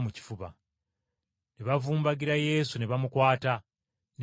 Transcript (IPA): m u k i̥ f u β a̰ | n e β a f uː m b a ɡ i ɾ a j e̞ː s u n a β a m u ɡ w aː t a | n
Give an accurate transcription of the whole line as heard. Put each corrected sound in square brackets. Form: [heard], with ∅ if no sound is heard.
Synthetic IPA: m u [c] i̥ f u β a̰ | n e β a [v] uː m b a ɡ i ɾ a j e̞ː s u n [e] β a m u [k] w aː t a | n